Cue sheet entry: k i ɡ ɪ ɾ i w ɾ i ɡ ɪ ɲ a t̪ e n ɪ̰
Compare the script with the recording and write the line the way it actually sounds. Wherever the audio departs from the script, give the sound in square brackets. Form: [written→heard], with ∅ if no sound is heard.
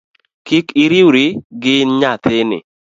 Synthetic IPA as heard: k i [ɡ→k] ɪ ɾ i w ɾ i ɡ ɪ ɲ a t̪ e n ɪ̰